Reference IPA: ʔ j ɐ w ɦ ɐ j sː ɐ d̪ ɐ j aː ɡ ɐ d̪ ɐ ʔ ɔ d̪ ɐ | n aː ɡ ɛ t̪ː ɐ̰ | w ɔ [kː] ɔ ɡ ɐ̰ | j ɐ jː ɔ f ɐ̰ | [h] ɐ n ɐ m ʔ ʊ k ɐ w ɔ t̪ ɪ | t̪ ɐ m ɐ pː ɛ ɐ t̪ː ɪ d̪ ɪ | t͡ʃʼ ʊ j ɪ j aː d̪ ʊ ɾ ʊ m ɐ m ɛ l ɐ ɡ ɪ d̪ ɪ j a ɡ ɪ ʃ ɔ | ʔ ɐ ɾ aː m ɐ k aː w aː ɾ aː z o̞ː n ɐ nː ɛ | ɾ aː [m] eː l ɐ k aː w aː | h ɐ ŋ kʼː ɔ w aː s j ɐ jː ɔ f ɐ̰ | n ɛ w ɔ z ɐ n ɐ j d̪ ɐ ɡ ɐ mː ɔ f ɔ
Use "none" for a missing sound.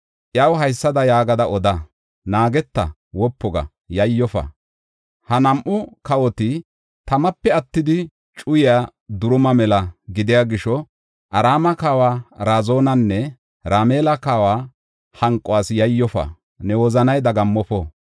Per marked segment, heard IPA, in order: pː, h, m

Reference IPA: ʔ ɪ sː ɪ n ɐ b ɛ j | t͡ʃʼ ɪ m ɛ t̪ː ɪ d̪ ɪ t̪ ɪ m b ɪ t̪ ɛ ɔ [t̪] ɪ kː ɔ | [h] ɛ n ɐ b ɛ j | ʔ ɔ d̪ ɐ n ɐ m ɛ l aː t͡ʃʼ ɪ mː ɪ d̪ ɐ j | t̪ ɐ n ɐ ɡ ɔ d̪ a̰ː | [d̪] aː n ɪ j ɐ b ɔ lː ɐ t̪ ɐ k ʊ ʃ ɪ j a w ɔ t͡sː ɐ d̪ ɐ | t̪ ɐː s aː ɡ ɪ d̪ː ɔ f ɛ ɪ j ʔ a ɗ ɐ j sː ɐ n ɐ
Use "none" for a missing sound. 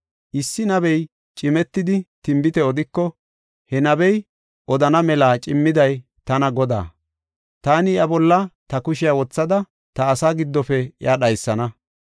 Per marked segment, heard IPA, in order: d̪, h, t̪

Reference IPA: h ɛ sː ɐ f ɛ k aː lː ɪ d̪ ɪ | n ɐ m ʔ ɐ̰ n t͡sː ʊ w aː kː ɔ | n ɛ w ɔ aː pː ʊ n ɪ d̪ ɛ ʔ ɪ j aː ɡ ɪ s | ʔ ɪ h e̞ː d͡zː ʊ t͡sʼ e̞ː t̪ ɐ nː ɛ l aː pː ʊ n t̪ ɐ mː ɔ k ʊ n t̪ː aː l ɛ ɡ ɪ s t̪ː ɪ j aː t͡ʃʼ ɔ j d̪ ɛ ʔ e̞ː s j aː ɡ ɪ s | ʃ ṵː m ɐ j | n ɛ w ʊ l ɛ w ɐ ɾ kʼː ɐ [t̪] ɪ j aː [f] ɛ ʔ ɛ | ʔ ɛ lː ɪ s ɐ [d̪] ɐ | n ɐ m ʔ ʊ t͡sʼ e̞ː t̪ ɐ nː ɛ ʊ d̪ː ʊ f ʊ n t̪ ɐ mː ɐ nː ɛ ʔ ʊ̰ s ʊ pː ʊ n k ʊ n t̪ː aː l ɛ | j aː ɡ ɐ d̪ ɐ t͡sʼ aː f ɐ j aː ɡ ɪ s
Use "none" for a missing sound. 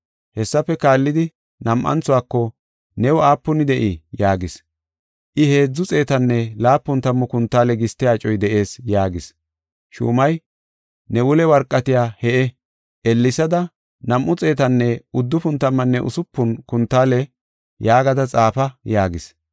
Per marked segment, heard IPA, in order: t̪, h, d̪

